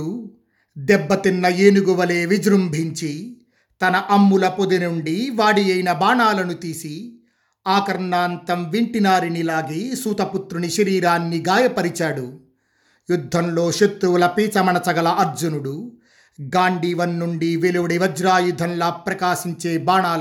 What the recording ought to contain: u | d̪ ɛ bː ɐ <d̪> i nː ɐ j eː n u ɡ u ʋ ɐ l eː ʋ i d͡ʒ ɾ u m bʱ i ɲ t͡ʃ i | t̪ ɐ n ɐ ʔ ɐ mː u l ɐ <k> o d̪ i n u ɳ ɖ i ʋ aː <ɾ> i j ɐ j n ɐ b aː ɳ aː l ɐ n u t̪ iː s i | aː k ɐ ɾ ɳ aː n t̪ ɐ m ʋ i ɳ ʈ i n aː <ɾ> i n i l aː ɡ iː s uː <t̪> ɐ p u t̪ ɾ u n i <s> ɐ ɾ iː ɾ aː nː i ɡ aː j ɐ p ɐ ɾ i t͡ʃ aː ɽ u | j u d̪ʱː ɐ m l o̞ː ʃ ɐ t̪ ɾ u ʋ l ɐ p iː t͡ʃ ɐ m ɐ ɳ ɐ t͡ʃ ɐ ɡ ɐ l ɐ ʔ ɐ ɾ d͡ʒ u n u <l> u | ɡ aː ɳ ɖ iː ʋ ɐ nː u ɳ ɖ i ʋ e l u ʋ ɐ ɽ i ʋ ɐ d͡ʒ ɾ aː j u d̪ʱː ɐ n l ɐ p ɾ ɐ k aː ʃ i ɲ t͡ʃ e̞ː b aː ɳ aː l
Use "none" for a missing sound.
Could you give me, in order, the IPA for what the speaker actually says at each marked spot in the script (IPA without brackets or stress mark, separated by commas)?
t̪, p, ɽ, ɾ, t̪, ʃ, ɽ